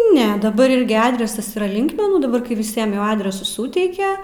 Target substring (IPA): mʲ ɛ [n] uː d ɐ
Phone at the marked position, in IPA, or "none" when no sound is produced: n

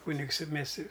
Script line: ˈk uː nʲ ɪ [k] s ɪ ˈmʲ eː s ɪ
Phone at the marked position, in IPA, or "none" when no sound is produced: k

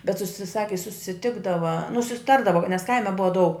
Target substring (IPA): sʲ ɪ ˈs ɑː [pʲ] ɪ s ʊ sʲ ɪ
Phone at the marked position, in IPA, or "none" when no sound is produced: kʲ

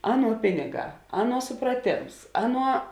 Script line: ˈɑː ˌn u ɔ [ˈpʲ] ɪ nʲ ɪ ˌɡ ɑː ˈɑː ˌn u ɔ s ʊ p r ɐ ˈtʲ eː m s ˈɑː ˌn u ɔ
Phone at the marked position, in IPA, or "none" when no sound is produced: pʲ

